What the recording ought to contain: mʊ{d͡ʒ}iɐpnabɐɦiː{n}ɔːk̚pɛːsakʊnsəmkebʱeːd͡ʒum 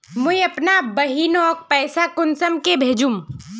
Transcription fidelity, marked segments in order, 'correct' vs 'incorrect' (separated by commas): incorrect, correct